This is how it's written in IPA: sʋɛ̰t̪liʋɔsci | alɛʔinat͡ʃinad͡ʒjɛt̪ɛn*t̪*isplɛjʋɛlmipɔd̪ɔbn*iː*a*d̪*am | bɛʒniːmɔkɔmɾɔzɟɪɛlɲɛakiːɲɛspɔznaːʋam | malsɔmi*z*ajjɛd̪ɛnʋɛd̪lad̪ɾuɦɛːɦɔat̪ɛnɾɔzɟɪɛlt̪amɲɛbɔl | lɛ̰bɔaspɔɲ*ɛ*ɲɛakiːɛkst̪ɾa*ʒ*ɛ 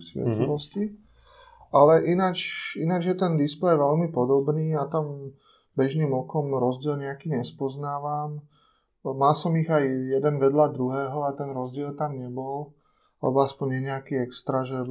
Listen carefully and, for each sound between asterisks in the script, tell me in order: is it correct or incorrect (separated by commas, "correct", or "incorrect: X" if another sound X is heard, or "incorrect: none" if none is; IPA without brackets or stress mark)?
incorrect: d̪, correct, incorrect: t̪, incorrect: ɣ, correct, correct